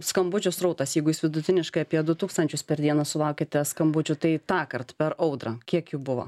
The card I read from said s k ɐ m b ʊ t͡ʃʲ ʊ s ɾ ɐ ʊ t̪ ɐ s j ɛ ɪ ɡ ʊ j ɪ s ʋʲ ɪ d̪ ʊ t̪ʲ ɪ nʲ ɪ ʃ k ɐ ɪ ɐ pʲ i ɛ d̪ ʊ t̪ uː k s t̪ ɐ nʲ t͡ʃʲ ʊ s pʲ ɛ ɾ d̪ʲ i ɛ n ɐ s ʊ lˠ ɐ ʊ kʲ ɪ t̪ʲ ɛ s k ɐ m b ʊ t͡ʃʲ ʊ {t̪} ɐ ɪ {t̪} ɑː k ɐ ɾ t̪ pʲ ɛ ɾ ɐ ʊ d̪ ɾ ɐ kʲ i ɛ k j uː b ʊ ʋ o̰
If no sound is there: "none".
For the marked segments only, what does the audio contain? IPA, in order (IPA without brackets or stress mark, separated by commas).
t̪, t̪